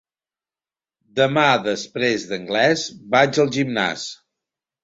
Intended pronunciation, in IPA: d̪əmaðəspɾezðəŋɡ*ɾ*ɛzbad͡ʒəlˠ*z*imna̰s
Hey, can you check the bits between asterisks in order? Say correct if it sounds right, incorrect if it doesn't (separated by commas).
incorrect, incorrect